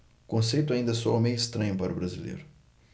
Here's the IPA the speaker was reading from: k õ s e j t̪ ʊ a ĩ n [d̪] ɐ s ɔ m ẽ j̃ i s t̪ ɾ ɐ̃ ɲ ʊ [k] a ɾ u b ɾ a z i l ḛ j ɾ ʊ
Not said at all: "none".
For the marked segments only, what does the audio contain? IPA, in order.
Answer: d̪, p

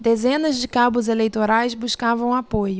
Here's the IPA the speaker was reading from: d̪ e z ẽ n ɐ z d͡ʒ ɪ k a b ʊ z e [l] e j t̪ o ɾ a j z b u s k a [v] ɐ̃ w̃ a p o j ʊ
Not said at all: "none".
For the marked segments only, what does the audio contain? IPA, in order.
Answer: l, v

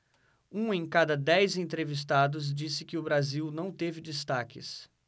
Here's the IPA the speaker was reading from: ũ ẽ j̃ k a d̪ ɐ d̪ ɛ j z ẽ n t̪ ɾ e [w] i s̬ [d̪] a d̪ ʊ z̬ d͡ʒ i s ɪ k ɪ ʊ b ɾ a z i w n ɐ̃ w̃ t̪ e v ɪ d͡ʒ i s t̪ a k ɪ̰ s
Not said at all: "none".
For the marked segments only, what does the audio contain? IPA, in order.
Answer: v, t̪

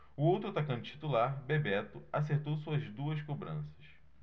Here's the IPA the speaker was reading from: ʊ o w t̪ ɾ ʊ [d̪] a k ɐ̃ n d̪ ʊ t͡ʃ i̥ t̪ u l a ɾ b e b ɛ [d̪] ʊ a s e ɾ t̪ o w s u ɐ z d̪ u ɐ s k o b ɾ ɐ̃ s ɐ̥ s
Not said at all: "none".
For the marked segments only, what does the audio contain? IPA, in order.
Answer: t̪, t̪

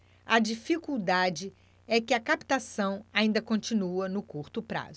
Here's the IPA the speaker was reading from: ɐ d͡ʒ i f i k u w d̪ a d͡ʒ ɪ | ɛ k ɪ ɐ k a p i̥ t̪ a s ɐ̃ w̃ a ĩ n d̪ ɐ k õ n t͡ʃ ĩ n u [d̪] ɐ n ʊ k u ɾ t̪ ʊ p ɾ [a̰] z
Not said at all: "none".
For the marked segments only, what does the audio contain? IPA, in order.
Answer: none, a̰

